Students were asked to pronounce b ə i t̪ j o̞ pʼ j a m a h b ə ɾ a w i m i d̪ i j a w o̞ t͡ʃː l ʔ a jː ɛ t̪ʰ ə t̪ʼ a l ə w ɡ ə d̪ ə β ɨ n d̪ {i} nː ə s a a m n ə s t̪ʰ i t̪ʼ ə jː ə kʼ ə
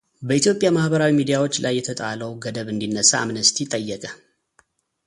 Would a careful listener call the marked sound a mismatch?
no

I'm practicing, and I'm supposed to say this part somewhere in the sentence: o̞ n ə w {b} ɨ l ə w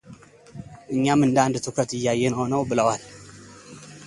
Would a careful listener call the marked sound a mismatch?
no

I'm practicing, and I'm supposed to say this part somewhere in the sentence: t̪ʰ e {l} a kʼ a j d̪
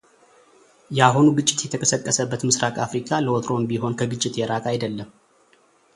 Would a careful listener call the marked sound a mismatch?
yes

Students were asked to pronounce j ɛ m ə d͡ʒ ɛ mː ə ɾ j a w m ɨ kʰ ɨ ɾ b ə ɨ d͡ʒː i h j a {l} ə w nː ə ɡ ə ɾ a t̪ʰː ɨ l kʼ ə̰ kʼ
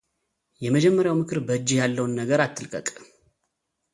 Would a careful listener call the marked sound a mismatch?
yes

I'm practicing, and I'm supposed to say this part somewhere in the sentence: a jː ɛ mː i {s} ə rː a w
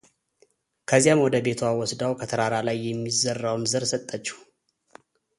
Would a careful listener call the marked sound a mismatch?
yes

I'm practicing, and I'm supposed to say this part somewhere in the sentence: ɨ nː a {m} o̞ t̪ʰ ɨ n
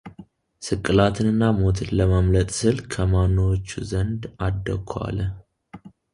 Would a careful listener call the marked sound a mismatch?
no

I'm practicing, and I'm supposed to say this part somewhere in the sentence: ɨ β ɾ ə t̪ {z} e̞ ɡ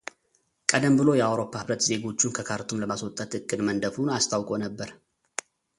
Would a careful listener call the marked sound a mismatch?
no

